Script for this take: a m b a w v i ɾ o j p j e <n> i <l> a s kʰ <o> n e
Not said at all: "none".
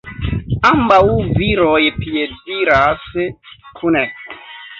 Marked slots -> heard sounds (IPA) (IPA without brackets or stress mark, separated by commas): d, ɾ, u